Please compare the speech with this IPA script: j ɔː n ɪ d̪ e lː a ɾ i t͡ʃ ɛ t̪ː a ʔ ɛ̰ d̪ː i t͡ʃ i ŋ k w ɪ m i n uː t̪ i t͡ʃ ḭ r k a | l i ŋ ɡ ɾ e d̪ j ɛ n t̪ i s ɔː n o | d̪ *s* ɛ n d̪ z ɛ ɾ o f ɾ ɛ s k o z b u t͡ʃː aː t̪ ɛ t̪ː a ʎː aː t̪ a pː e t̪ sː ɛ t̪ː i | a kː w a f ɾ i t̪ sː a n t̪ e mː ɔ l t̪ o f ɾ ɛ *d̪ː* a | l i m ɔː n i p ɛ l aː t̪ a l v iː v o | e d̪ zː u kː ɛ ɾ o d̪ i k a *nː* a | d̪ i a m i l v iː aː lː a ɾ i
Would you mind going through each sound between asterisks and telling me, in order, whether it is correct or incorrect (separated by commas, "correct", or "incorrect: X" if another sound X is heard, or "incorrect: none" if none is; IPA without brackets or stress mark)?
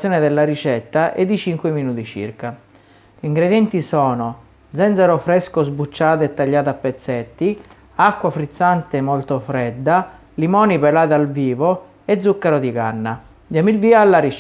incorrect: z, correct, correct